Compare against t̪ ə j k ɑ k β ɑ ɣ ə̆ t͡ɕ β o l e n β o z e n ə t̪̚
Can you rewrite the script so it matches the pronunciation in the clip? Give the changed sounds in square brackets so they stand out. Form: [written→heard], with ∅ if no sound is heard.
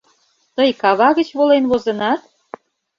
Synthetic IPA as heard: t̪ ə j k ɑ [k→∅] β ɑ ɣ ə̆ t͡ɕ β o l e n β o z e n [ə→ɑ] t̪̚